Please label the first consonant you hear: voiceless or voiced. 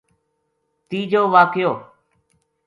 voiceless